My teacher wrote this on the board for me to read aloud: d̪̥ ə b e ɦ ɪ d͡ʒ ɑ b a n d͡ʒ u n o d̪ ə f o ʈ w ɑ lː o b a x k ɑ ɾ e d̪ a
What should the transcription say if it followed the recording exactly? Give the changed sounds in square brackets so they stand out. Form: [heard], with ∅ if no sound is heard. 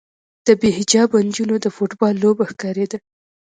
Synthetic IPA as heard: d̪̥ ə b e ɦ ɪ d͡ʒ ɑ b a n d͡ʒ u n o d̪ ə f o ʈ [b] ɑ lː o b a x k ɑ ɾ e d̪ a